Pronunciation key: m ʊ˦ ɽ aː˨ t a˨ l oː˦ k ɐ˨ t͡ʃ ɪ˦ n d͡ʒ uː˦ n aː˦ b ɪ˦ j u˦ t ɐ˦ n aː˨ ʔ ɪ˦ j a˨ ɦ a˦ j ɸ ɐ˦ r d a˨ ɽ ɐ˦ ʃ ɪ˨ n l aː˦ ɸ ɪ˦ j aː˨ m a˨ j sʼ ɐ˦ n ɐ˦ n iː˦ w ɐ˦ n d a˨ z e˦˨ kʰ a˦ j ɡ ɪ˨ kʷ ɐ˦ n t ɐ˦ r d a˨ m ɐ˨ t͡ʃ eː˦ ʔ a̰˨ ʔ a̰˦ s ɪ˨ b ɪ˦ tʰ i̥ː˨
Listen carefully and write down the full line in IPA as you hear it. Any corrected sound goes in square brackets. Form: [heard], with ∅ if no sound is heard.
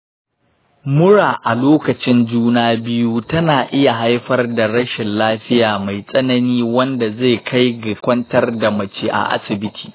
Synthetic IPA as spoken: m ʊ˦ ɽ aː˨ [ʔ] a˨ l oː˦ k ɐ˨ t͡ʃ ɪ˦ n d͡ʒ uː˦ n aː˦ b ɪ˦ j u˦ t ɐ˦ n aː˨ ʔ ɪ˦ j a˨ ɦ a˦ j ɸ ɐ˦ r d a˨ ɽ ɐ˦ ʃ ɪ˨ n l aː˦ ɸ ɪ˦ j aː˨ m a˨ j sʼ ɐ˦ n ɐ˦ n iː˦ w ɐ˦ n d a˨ z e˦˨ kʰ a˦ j ɡ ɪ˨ kʷ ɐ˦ n t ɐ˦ r d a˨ m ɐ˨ t͡ʃ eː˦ ʔ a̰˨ ʔ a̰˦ s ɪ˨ b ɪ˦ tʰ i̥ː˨